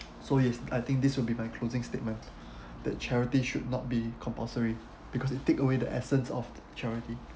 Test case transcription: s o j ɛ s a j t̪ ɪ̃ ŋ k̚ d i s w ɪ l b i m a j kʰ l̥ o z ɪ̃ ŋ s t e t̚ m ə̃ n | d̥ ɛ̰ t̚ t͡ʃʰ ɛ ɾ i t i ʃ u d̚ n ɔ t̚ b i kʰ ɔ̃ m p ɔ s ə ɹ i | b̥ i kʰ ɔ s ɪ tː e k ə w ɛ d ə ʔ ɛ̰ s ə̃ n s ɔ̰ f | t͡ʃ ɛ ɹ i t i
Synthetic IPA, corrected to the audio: s o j ɛ s a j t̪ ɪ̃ ŋ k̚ d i s w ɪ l b i m a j kʰ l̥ o z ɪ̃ ŋ s t e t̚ m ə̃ n | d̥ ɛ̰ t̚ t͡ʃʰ ɛ ɹ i t i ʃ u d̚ n ɔ t̚ b i kʰ ɔ̃ m p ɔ s ə ɹ i | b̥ i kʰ ɔ s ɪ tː e k ə w e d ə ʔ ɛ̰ s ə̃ n s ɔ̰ f | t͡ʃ ɛ ɹ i t i